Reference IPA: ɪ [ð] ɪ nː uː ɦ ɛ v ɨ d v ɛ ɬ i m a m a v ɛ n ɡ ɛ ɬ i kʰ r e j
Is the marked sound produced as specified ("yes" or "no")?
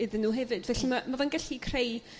yes